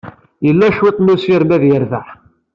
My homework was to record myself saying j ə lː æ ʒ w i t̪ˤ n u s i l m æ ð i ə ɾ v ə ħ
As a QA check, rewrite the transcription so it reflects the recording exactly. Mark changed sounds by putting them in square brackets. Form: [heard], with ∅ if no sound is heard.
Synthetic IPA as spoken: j ə lː æ [ʃ] w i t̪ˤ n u s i [ɾ] m æ ð [j] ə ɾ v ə ħ